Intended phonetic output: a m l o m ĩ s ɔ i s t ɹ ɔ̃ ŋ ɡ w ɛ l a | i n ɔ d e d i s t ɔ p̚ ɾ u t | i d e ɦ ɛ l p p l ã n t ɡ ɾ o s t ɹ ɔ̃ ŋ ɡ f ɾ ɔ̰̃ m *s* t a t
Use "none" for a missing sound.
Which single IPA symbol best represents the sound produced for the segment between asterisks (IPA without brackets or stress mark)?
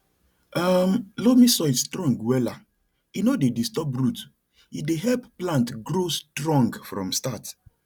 s